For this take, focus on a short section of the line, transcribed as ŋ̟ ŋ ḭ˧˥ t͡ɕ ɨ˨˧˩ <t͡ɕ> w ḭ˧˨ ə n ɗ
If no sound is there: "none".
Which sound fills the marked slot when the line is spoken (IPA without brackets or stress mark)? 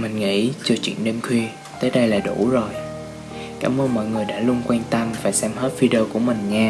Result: t͡ɕ